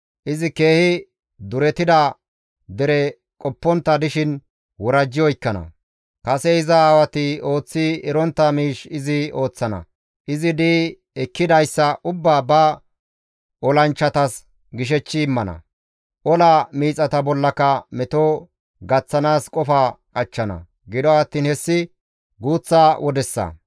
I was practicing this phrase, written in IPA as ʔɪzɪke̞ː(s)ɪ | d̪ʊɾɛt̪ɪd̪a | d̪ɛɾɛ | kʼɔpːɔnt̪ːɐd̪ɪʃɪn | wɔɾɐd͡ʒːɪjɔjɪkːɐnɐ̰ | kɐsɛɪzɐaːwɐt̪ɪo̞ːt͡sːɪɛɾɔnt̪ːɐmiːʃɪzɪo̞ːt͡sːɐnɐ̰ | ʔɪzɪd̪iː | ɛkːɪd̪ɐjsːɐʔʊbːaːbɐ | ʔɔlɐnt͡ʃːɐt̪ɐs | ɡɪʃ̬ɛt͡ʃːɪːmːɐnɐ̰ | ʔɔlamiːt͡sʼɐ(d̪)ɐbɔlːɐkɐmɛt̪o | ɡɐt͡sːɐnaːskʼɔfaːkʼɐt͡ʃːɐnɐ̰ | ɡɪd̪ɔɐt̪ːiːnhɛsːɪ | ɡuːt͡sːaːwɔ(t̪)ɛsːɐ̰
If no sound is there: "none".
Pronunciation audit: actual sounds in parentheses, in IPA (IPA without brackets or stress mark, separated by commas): h, t̪, d̪